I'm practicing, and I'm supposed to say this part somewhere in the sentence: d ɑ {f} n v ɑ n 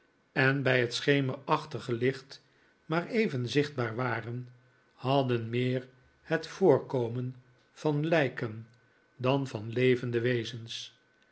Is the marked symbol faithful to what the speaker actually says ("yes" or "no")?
no